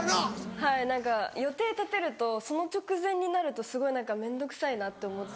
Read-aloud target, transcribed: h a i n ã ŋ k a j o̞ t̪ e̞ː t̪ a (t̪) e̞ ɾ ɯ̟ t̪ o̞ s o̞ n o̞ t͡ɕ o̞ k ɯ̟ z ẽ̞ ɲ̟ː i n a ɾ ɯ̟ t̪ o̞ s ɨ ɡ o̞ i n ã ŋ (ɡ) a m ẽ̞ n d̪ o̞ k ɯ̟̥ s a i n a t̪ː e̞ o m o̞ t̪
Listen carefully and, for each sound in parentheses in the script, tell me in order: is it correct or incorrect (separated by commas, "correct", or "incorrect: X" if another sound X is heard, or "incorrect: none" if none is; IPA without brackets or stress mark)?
correct, incorrect: k